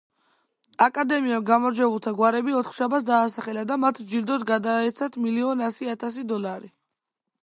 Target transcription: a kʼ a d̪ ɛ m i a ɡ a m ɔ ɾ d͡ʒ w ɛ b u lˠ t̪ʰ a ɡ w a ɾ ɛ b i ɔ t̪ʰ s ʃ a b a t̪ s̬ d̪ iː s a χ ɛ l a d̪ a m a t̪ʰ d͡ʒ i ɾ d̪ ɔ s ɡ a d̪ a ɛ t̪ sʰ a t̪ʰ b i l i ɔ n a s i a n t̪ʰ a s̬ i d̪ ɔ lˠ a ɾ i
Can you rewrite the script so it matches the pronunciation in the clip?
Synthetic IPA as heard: a kʼ a d̪ ɛ m i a ɡ a m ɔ ɾ d͡ʒ w ɛ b u lˠ t̪ʰ a ɡ w a ɾ ɛ b i ɔ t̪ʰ χ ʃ a b a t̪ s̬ d̪ aː s a χ ɛ l a d̪ a m a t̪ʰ d͡ʒ i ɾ d̪ ɔ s ɡ a d̪ a ɛ t̪ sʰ a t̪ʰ m i l i ɔ n a s i a t̪ʰ a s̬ i d̪ ɔ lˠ a ɾ i